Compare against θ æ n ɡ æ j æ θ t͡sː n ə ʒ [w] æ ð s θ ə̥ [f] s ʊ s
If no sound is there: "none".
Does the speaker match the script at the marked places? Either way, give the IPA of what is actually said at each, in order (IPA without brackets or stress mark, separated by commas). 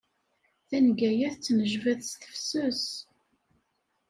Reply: v, f